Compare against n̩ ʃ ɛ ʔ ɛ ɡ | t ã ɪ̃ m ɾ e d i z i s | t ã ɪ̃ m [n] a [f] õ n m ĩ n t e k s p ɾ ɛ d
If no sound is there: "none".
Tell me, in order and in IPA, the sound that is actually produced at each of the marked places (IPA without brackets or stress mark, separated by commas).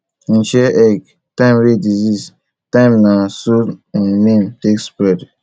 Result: n, s